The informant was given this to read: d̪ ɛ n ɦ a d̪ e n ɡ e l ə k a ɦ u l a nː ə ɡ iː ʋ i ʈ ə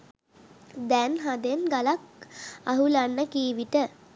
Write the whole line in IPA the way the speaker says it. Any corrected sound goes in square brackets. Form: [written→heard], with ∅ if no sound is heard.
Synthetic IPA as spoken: d̪ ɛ n ɦ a d̪ e n ɡ [e→a] l [ə→a] k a ɦ u l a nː ə [ɡ→k] iː ʋ i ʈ ə